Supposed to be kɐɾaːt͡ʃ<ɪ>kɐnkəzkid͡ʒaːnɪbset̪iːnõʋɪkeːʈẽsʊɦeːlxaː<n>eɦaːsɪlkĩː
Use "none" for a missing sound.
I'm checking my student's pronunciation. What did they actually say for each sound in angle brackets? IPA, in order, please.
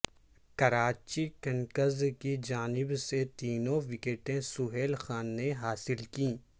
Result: i, nː

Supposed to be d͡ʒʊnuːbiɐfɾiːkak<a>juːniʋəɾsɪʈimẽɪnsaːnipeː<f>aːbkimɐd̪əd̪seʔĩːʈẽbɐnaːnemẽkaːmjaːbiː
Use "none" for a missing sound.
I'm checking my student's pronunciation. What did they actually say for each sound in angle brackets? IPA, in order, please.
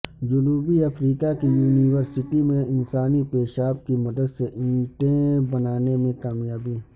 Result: i, ʃ

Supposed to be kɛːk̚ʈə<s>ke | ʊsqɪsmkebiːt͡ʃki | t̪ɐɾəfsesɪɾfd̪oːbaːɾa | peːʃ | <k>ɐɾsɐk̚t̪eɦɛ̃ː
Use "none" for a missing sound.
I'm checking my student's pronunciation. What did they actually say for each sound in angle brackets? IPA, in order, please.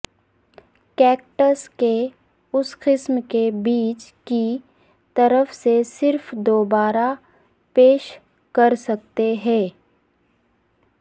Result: s, k

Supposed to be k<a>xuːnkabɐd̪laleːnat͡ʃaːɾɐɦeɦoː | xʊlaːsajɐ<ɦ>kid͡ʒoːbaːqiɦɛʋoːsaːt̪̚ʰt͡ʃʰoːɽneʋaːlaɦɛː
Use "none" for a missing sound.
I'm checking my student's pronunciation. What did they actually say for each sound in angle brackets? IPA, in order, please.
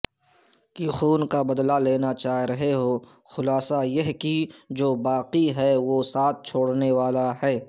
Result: i, ɦ

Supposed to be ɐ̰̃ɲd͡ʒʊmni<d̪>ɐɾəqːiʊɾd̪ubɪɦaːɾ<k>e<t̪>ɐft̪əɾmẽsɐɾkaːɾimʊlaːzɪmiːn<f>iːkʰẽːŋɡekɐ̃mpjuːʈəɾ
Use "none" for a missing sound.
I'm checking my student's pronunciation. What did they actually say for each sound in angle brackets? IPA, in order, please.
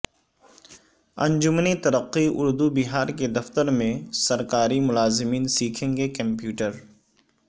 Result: t̪, k, d̪, s

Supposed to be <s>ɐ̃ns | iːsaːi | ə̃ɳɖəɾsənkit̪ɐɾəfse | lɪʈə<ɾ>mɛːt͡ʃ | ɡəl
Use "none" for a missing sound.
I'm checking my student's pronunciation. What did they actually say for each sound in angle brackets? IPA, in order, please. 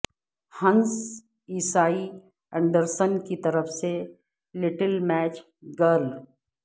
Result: h, l

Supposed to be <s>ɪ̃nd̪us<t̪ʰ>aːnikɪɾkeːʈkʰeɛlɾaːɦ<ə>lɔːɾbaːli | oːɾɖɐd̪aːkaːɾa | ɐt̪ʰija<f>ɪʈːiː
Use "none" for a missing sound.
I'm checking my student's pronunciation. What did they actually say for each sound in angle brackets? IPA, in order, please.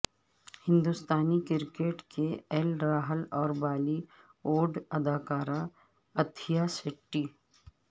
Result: h, t̪, ə, s

